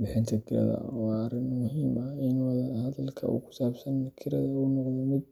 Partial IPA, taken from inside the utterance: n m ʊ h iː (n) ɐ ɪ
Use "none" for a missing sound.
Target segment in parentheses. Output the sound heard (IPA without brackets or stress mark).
m